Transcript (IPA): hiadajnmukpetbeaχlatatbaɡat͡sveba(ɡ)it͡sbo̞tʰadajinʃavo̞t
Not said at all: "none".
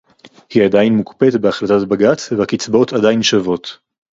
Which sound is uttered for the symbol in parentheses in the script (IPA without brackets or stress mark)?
k